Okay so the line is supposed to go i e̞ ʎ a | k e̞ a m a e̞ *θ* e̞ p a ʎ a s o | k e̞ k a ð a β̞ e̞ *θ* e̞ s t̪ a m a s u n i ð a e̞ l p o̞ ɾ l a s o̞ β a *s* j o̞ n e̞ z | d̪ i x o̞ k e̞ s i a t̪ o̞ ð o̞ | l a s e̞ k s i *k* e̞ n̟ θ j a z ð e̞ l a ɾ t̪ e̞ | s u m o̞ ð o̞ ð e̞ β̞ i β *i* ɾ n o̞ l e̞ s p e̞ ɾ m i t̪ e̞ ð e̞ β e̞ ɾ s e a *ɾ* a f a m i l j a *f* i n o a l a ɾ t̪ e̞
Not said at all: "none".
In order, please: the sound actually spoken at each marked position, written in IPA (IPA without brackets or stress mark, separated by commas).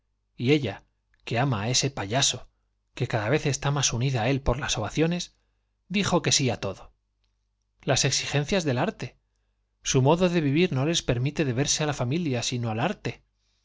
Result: s, θ, θ, x, i, l, s